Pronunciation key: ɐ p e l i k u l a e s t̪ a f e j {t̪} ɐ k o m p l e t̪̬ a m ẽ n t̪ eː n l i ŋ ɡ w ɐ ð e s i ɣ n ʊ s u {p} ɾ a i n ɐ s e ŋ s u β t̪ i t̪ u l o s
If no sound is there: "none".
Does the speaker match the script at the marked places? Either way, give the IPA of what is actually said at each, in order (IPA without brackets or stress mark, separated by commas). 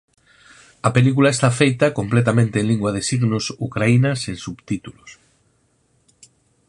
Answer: t̪, k